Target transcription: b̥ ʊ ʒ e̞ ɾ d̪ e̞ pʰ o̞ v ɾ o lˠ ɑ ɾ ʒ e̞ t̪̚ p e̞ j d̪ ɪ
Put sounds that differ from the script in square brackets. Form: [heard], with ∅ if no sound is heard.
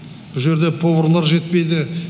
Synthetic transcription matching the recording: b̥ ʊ ʒ e̞ ɾ d̪ e̞ pʰ o̞ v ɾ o lˠ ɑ ɾ ʒ e̞ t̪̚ p e̞ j d̪ ɪ